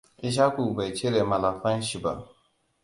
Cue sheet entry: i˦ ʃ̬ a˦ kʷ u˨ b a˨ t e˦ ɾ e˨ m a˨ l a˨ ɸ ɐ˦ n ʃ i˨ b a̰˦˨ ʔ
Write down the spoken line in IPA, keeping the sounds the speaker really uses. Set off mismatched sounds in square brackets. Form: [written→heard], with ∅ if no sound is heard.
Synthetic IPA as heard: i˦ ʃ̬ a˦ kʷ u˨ b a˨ [t→t͡ʃ] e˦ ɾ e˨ m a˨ l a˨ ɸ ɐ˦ n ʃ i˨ b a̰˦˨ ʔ